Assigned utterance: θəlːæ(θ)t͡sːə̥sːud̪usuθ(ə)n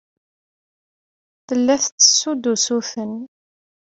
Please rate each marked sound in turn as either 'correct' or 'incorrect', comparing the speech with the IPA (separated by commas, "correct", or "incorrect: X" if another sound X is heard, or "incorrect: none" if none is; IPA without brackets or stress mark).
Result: correct, correct